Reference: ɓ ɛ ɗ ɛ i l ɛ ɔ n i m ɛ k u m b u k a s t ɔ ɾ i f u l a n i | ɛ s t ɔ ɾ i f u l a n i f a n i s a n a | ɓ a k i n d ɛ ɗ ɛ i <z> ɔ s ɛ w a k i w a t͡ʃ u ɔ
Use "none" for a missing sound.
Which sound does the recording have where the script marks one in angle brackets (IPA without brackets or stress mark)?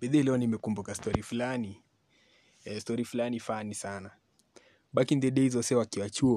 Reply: z